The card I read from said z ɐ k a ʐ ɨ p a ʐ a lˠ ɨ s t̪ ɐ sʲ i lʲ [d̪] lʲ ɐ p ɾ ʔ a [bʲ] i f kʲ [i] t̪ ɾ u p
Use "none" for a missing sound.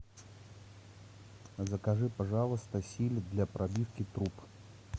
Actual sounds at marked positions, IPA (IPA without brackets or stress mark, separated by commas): d̪, bʲ, i